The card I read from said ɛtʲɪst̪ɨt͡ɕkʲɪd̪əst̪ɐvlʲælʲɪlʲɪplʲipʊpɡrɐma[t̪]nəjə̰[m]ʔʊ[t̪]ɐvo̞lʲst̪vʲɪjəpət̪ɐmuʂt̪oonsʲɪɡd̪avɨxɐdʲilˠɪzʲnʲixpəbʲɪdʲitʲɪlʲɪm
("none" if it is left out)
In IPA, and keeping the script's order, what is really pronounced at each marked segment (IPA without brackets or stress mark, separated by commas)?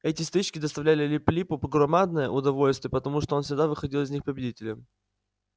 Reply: d̪, none, d̪